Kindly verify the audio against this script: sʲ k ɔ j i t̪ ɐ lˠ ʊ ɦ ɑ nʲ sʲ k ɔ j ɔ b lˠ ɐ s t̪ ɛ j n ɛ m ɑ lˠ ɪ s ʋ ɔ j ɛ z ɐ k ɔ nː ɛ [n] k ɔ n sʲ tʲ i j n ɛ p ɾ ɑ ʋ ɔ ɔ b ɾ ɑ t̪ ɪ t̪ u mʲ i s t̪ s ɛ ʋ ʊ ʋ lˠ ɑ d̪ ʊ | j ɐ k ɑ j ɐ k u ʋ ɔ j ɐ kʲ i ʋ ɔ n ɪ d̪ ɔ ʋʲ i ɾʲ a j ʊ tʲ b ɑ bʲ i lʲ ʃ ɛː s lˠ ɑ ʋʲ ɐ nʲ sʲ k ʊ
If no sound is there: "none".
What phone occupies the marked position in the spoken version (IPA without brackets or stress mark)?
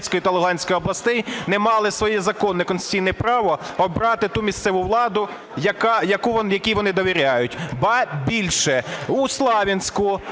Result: none